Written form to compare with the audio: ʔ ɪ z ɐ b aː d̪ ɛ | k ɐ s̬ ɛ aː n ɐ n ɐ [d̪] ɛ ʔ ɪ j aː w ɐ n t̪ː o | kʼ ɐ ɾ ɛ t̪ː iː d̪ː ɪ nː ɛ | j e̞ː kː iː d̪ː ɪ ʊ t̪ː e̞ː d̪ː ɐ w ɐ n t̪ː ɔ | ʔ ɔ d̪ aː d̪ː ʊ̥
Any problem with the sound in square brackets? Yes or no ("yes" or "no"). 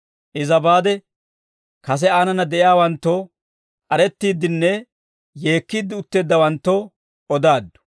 no